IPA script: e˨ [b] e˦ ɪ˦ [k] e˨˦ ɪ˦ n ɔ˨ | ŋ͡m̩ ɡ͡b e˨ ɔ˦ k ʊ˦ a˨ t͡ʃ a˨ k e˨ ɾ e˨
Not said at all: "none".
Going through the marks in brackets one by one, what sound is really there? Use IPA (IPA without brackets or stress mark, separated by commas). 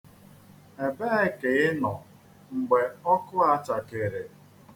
b, k